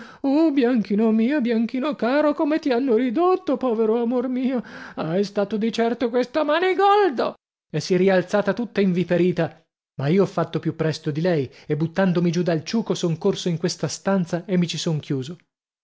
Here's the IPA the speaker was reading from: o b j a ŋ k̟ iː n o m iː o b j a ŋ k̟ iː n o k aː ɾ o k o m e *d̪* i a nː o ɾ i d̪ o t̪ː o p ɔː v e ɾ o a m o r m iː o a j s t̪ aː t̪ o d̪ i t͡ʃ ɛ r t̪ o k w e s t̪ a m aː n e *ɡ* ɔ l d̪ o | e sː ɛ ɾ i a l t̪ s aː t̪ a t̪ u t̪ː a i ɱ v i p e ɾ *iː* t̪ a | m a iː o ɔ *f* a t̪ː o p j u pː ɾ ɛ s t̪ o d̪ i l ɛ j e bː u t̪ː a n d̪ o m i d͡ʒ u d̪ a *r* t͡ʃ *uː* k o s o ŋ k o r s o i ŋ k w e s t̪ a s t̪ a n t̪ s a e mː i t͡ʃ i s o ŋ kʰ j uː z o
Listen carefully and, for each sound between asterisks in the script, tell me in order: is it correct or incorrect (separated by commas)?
incorrect, correct, correct, incorrect, incorrect, correct